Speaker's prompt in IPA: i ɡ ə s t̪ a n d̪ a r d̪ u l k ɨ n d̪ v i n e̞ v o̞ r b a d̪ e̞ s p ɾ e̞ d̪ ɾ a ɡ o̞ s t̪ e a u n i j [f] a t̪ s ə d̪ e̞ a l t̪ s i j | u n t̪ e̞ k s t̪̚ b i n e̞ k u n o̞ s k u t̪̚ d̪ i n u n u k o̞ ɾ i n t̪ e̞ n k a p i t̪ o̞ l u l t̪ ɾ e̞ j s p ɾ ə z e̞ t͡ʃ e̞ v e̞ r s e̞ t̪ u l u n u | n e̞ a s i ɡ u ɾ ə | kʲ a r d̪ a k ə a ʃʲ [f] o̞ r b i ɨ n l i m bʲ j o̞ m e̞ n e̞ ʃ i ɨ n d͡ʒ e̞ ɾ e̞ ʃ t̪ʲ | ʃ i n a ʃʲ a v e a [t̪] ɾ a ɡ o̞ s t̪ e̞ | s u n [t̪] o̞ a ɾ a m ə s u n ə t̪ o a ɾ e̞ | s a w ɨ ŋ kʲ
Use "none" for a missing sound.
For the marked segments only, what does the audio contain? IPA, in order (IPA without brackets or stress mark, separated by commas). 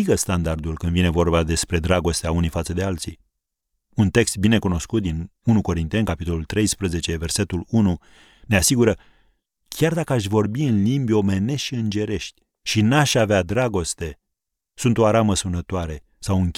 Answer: f, v, d̪, t̪